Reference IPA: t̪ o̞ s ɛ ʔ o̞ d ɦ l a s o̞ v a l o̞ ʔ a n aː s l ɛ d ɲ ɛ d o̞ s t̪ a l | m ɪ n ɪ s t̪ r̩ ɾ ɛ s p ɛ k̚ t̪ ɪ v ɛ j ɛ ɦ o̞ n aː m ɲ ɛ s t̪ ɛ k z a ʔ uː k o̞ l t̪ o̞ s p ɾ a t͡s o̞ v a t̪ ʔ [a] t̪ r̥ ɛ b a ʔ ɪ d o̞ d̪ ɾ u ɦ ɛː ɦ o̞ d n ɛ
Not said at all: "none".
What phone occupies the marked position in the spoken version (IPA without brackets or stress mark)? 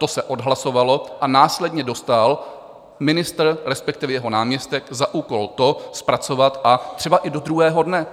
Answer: a